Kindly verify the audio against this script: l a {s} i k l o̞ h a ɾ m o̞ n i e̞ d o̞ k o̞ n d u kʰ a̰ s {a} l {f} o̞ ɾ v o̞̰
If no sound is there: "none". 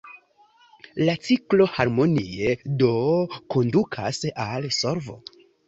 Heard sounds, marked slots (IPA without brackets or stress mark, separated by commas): t͡s, a, s